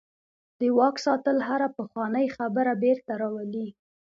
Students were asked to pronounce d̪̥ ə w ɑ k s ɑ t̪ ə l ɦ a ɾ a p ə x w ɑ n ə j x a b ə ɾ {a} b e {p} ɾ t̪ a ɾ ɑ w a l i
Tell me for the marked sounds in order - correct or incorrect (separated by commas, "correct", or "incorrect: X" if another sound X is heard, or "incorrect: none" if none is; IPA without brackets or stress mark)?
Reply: correct, incorrect: none